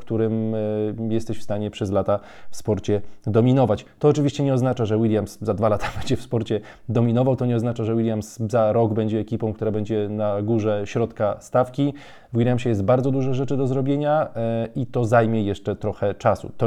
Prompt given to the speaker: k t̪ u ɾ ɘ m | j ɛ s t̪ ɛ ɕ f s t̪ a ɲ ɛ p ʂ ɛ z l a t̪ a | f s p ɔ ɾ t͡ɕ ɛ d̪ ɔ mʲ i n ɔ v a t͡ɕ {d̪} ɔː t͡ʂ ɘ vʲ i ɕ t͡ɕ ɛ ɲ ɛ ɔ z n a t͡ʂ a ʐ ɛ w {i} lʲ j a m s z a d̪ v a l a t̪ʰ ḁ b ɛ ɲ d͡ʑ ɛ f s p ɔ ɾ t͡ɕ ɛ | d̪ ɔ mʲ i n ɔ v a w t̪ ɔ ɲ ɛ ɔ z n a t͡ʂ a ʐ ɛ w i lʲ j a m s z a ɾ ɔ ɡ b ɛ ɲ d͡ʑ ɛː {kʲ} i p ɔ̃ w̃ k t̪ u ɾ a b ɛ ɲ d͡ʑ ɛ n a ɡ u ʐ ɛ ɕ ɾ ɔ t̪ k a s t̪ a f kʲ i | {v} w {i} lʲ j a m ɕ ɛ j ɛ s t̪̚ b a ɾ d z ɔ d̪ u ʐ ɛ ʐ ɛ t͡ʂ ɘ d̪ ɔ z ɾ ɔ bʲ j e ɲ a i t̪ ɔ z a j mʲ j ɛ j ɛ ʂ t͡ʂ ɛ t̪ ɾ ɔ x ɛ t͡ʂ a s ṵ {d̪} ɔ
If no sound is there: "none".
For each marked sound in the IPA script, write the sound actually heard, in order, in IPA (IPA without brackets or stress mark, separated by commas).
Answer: t̪, i, kʲ, v, i, t̪